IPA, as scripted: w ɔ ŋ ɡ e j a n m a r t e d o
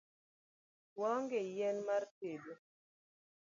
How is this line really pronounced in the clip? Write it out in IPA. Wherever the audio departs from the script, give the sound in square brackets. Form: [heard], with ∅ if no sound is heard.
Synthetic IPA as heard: w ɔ ŋ ɡ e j [ɛ] n m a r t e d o